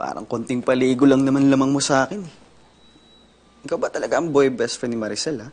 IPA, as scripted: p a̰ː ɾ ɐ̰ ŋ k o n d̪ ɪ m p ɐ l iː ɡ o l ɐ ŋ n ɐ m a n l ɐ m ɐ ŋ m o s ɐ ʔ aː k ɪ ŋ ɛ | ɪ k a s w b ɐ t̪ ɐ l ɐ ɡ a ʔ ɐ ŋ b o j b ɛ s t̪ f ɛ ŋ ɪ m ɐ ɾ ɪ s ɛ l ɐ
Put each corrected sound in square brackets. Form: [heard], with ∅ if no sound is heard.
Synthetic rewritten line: p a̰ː ɾ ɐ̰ ŋ k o n [t̪] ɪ [ŋ] p ɐ l iː ɡ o l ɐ ŋ n ɐ m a n l ɐ m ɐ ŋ m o s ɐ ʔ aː k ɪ [n] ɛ | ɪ k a [∅] w b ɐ t̪ ɐ l ɐ ɡ a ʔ ɐ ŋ b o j b ɛ s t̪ f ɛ [n] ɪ m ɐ ɾ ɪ s ɛ l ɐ